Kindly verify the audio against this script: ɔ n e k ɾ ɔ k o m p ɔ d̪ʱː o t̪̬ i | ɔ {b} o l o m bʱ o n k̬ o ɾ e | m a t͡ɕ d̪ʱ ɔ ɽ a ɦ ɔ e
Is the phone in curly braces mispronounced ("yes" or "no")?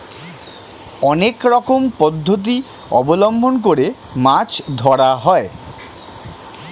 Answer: no